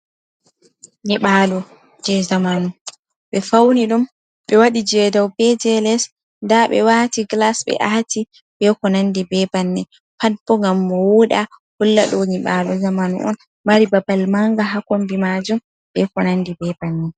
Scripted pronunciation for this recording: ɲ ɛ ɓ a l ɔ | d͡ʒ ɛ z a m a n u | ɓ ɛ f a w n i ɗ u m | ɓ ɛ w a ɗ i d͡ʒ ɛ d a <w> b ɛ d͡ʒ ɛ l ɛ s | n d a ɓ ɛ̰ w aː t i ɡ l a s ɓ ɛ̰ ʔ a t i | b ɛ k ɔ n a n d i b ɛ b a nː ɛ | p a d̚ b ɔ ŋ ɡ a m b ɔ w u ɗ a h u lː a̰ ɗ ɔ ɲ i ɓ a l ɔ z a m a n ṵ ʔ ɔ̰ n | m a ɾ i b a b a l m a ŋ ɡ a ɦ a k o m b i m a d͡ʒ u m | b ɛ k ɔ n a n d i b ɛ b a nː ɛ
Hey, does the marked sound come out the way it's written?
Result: yes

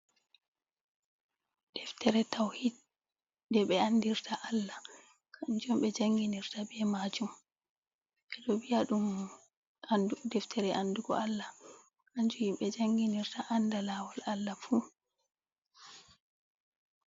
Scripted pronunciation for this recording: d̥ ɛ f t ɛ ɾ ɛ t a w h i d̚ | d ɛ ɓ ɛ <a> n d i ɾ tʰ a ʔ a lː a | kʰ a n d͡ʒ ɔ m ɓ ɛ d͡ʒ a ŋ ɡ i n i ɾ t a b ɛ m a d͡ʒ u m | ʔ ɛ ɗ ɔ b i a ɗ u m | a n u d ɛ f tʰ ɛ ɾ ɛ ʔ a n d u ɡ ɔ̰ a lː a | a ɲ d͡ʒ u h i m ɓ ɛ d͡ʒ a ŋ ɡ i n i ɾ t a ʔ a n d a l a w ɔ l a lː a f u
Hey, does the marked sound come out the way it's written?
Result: yes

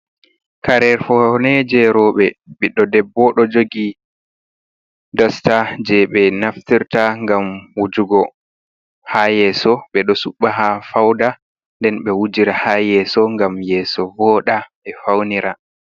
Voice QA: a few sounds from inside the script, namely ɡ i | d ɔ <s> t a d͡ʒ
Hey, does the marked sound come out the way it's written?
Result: yes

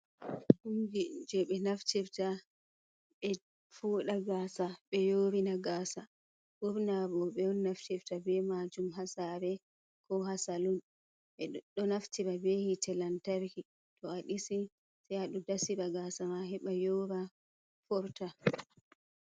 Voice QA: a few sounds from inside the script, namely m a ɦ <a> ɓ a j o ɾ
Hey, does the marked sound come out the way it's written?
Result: no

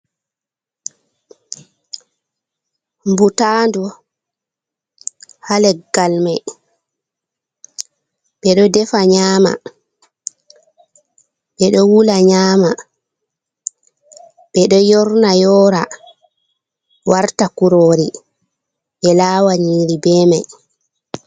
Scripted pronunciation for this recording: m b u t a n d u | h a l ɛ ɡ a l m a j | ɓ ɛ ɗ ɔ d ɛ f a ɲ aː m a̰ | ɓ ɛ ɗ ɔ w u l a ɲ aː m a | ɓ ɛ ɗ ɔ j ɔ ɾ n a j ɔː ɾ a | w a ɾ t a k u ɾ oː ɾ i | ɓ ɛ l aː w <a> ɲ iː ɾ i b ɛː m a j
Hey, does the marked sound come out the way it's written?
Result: yes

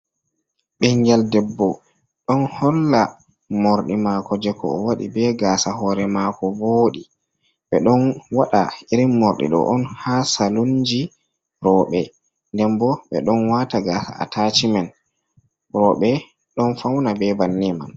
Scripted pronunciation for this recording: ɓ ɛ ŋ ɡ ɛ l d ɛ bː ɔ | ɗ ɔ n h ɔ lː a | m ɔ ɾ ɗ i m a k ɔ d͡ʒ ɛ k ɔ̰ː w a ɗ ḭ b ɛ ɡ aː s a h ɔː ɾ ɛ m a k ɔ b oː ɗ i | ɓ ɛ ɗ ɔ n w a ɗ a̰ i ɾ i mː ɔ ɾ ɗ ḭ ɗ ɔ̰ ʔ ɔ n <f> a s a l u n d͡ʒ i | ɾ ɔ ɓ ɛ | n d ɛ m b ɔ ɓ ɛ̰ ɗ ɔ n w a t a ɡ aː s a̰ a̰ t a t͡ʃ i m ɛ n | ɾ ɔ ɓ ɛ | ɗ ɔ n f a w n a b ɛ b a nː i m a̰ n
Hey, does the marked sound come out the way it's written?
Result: no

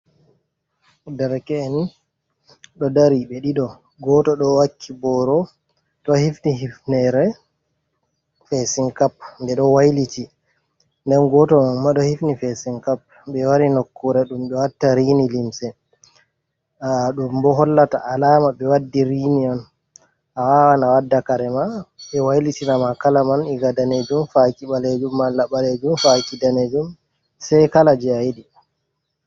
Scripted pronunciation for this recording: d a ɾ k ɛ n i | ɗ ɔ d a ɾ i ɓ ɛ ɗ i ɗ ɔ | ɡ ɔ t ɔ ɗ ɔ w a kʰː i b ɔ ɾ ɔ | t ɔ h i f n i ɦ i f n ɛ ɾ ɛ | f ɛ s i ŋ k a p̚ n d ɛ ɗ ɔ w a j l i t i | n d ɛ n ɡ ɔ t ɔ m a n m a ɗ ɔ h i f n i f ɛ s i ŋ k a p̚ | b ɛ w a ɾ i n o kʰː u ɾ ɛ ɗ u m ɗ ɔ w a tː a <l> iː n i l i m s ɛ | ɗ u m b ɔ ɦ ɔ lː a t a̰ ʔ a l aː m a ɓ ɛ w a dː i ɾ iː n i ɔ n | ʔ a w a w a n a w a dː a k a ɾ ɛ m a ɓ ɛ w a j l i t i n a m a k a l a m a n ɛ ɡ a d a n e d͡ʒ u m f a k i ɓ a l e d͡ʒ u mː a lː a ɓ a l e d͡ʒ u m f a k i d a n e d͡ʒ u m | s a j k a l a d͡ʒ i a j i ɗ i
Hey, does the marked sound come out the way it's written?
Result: no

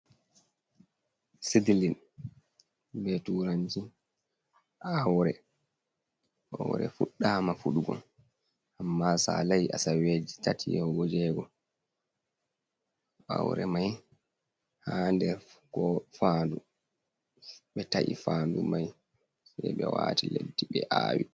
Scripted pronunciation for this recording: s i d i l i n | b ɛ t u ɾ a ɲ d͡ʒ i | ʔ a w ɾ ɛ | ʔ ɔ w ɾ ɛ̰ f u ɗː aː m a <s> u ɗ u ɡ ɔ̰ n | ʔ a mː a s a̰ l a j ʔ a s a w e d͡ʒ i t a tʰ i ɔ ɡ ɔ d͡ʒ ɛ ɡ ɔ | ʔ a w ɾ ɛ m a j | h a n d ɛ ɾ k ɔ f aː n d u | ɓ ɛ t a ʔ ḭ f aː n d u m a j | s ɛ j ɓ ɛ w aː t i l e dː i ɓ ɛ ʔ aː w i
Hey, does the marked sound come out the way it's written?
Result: no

